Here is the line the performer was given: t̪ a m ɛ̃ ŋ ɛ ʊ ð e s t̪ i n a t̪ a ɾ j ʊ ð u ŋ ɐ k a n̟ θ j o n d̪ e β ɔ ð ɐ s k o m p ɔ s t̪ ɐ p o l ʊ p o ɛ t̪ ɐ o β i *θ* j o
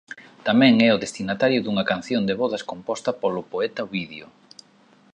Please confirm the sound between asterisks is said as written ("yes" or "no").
no